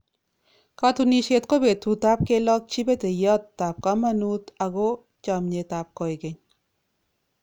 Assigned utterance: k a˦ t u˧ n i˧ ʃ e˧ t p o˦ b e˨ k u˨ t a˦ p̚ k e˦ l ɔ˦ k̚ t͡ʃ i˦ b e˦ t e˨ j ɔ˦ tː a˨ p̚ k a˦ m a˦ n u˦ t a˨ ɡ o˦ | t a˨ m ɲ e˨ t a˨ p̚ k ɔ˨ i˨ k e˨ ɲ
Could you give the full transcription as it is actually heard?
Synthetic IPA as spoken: k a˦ t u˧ n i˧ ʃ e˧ t k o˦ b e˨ t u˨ t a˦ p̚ k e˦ l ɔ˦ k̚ t͡ʃ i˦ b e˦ t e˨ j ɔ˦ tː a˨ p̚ k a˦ m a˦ n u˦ t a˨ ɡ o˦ | t͡ʃ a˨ m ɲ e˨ t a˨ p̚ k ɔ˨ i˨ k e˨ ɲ